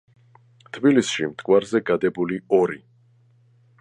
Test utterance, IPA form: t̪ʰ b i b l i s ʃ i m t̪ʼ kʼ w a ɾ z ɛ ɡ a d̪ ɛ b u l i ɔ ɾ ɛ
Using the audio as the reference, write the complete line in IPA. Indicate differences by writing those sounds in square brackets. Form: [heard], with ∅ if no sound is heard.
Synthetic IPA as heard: t̪ʰ b i [∅] l i s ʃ i m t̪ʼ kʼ w a ɾ z ɛ ɡ a d̪ ɛ b u l i ɔ ɾ [i]

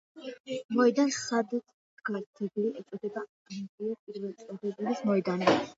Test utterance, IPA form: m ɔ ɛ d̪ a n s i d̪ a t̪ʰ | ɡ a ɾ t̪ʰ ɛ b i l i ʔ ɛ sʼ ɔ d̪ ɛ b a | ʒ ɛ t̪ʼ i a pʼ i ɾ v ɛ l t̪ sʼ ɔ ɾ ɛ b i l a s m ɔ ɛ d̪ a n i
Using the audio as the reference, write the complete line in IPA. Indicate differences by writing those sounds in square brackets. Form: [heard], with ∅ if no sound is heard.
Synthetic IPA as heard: m ɔ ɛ d̪ a n s [a] d̪ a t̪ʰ | ɡ a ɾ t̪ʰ ɛ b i l i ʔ ɛ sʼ ɔ d̪ ɛ b a | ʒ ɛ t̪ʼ i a pʼ i ɾ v ɛ l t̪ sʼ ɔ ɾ ɛ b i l [i] s m ɔ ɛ d̪ a n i

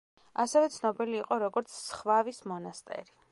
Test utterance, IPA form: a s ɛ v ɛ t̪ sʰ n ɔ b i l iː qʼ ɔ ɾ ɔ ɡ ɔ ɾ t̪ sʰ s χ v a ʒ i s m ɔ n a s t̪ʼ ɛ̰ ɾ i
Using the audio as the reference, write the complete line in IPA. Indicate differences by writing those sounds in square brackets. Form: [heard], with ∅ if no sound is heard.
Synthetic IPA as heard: a s ɛ v ɛ t̪ sʰ n ɔ b i l iː qʼ ɔ ɾ ɔ ɡ ɔ ɾ t̪ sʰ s χ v a [v] i s m ɔ n a s t̪ʼ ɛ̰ ɾ i

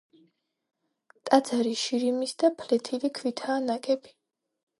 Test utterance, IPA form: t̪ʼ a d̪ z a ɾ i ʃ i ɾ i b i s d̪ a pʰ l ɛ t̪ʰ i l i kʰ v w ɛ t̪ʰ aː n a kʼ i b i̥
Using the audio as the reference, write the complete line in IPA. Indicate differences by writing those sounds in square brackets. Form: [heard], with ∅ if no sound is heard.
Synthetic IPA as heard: t̪ʼ a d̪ z a ɾ i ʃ i ɾ i [m] i s d̪ a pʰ l ɛ t̪ʰ i l i kʰ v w [i] t̪ʰ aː n a kʼ [ɛ] b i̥

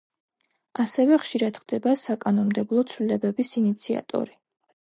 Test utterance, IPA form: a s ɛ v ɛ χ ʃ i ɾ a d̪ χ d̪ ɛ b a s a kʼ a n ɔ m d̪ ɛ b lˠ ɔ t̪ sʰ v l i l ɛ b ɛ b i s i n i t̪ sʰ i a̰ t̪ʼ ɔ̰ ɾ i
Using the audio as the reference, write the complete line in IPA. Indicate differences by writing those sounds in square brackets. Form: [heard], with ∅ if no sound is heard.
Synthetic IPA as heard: a s ɛ v ɛ χ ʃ i ɾ a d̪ χ d̪ ɛ b a s a kʼ a n ɔ m d̪ ɛ b lˠ ɔ t̪ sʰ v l i l ɛ b ɛ b i s i n i t̪ sʰ i a̰ t̪ʼ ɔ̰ ɾ i

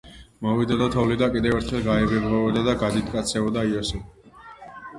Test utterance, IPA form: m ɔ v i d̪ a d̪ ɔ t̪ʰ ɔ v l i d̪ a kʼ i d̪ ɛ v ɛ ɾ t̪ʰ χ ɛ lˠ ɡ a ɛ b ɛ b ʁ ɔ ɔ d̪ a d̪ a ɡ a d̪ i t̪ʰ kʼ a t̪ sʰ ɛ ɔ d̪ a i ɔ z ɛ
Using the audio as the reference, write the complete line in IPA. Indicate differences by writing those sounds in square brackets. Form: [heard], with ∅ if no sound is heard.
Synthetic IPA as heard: m ɔ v i d̪ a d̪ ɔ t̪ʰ ɔ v l i d̪ a kʼ i d̪ ɛ v ɛ ɾ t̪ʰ χ ɛ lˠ ɡ a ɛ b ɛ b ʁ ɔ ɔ d̪ a d̪ a ɡ a d̪ i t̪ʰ kʼ a t̪ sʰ ɛ ɔ d̪ a i ɔ [s] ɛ

